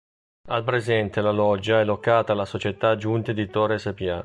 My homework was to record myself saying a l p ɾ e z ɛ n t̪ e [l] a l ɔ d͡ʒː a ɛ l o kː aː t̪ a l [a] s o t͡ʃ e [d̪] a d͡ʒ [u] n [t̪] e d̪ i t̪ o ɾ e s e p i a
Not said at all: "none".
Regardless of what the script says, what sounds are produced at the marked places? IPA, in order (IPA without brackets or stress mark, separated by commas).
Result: l, a, t̪, u, t̪